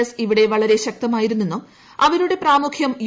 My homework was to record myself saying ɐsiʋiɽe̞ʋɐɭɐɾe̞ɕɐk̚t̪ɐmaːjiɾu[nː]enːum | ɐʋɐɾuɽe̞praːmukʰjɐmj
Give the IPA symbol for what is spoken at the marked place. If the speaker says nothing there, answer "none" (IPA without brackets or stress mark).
nː